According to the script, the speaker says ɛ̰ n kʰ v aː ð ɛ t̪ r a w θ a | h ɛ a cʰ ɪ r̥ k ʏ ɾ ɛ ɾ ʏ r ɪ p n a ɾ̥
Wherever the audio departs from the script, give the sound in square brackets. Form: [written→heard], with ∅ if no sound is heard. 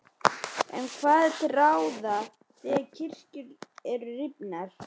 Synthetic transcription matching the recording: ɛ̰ n kʰ v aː ð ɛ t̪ r a w [θ→ð] a | [h→θ] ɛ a cʰ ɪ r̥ [k→c] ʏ ɾ ɛ ɾ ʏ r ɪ p n a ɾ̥